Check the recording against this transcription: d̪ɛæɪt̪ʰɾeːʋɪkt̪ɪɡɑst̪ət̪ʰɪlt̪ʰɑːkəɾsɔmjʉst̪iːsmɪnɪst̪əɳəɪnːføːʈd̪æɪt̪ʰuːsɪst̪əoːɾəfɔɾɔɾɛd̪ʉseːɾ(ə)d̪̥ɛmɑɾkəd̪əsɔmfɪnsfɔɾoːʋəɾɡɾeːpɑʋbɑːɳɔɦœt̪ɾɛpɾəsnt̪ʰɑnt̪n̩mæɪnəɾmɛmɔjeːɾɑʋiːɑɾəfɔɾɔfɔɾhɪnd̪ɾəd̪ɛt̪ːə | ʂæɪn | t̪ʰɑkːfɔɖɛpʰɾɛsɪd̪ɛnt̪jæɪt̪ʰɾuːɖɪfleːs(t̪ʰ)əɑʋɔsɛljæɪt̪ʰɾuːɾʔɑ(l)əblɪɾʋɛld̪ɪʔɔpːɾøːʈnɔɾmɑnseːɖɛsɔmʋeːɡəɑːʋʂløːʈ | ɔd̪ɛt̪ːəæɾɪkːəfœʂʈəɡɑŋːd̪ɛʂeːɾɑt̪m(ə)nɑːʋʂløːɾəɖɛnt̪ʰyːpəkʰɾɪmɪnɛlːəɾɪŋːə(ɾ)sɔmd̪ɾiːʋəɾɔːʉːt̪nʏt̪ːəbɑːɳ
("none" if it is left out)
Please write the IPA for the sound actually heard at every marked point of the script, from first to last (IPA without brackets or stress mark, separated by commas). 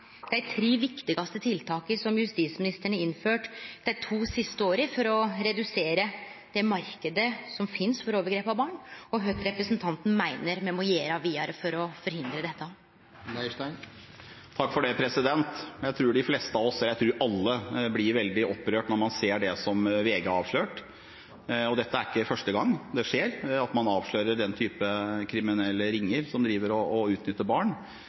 ə, t̪, lː, ɑ, ɾ